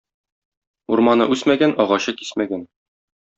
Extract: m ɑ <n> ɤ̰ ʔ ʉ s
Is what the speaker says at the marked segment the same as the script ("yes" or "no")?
yes